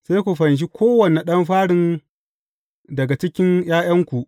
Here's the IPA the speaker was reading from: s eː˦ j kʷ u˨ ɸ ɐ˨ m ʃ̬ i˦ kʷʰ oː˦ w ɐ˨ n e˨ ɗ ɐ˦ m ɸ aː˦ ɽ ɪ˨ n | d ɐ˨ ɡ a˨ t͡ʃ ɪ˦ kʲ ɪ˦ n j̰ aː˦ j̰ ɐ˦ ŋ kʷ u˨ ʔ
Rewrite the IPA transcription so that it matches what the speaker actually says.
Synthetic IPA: s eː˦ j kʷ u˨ ɸ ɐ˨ n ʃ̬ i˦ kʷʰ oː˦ w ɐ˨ n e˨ ɗ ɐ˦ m ɸ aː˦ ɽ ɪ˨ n | d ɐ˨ ɡ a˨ t͡ʃ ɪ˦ kʲ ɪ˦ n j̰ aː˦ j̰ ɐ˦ ŋ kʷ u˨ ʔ